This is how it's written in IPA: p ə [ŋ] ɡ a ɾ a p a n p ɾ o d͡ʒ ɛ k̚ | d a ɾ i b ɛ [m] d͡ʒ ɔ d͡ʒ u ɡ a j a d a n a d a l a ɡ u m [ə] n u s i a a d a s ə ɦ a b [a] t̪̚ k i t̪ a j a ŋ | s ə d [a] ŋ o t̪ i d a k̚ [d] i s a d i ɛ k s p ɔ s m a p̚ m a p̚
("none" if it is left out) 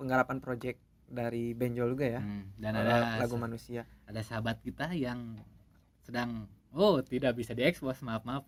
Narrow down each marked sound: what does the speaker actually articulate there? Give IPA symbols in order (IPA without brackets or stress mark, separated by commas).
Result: ŋ, ɲ, a, a, a, b